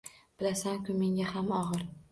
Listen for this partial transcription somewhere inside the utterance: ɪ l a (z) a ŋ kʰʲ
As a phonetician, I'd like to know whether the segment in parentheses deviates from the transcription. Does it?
yes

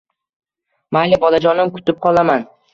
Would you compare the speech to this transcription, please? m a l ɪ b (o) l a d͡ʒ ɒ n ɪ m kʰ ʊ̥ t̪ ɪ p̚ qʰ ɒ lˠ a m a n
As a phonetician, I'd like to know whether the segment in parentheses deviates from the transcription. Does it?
yes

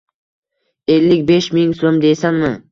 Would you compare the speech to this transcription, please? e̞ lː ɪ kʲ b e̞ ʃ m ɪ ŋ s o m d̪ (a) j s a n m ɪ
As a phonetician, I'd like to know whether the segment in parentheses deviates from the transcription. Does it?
yes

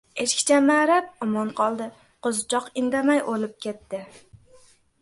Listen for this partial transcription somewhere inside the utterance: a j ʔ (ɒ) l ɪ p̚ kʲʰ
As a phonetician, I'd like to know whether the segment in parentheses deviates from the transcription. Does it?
yes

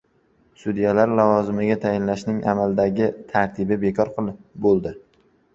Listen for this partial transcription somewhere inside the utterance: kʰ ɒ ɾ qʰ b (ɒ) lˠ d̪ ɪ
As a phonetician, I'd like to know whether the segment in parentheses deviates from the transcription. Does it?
yes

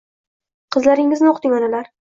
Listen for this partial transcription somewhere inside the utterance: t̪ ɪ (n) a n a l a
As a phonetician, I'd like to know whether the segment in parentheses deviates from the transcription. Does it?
yes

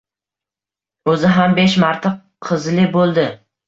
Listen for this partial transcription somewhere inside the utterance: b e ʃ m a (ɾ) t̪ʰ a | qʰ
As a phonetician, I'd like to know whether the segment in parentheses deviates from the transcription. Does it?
no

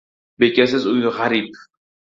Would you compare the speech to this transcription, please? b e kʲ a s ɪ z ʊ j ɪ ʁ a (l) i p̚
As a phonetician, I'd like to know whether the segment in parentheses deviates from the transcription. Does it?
yes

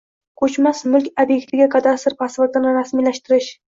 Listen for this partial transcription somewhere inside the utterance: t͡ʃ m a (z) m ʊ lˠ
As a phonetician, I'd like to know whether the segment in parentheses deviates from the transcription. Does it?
yes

